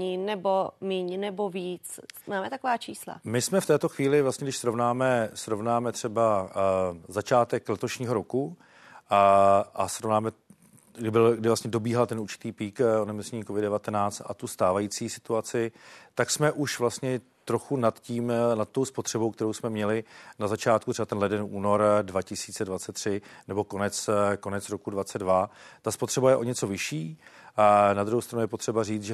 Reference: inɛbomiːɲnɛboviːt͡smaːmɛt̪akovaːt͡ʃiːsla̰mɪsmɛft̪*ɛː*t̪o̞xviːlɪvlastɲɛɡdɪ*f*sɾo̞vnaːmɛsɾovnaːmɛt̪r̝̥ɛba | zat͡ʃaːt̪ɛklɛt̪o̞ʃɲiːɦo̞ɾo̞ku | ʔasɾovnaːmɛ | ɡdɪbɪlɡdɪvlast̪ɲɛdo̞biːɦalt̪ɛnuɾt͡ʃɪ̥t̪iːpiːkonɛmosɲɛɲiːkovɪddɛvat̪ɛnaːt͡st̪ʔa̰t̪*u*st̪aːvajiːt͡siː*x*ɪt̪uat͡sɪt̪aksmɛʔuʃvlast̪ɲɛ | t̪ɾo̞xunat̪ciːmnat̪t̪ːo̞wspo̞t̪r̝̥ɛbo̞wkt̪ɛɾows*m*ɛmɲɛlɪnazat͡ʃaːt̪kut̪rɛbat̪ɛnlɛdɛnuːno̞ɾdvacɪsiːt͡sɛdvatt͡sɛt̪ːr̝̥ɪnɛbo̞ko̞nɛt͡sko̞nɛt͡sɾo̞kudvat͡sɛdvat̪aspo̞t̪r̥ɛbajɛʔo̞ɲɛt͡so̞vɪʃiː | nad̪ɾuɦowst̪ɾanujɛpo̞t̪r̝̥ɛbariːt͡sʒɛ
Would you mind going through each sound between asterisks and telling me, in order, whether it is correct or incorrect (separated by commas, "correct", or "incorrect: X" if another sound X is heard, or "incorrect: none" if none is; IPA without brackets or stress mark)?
correct, incorrect: ʃ, correct, incorrect: s, correct